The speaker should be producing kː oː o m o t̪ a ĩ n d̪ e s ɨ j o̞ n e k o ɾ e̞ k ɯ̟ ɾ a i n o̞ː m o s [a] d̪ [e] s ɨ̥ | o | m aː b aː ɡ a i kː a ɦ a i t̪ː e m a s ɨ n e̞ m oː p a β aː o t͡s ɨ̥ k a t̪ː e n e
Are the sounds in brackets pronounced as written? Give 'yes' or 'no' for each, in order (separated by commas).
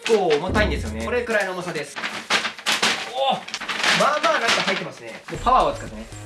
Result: yes, yes